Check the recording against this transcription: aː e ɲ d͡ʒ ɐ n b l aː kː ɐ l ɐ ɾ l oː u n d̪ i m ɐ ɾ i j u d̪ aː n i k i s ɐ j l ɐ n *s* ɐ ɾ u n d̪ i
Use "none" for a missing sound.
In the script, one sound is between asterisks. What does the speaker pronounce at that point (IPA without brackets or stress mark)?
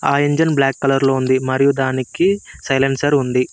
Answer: s